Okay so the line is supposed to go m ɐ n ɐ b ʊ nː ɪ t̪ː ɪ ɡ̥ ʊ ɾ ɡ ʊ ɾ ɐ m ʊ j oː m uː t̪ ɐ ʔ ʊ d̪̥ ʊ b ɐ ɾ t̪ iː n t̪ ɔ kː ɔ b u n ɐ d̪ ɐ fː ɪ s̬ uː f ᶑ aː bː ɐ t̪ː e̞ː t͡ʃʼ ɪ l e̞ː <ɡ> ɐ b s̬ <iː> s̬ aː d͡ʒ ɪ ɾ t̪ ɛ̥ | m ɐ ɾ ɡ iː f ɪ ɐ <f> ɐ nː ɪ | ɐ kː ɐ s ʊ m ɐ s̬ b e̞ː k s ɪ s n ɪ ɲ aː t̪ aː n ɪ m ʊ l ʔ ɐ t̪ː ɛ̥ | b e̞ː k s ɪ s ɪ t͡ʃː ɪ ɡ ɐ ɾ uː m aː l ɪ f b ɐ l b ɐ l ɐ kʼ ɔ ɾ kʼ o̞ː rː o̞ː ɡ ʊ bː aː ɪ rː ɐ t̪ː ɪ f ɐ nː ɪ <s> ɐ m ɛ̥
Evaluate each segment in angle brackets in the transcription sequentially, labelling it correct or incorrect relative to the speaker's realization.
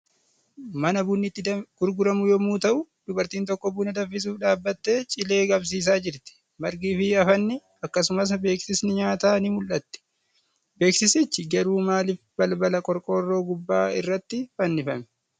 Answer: correct, correct, correct, incorrect: f

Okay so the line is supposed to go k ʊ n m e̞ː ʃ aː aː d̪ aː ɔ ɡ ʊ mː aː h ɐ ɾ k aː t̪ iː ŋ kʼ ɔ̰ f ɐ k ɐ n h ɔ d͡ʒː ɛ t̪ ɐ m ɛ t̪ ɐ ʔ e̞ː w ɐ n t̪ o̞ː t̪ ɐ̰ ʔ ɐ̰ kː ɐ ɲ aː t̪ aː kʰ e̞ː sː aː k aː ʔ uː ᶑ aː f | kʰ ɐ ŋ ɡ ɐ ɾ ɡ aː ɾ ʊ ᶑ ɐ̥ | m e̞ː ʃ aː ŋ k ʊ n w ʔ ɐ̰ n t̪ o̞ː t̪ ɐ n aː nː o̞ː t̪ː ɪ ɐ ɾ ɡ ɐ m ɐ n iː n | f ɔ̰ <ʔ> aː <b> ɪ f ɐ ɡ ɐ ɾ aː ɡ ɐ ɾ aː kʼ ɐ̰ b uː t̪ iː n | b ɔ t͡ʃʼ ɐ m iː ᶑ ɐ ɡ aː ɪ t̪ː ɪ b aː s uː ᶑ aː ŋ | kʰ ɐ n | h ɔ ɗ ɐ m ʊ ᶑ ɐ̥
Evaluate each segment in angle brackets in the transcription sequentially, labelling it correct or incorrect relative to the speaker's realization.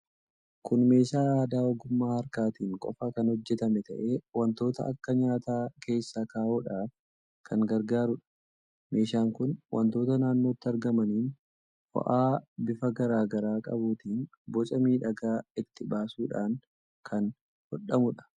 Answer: correct, correct

